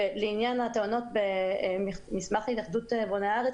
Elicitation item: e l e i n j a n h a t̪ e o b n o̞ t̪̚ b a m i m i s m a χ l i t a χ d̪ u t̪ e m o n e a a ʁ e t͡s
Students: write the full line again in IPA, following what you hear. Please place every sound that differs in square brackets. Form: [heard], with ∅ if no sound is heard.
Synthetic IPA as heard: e l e i n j a n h a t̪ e o [∅] n o̞ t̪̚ b [e] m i m i s m a χ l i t a χ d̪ u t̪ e [b] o n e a a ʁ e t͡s